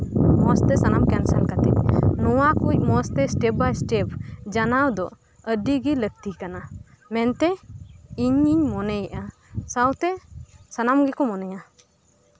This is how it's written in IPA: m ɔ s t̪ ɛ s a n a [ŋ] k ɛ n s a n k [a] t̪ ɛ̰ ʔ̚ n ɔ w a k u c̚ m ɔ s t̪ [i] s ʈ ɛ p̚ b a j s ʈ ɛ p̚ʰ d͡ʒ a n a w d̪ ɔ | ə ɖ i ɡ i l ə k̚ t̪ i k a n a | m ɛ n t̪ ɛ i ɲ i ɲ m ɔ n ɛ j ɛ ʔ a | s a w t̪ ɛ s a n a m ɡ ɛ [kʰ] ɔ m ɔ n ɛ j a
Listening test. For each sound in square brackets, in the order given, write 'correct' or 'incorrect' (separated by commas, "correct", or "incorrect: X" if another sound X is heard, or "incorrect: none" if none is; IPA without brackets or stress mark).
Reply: incorrect: m, correct, incorrect: ɛ, incorrect: k